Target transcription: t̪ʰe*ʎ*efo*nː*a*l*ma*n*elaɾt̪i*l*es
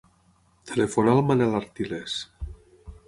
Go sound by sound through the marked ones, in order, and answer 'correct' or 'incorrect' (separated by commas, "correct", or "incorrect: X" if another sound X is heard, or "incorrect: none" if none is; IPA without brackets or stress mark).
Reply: incorrect: l, incorrect: n, correct, correct, correct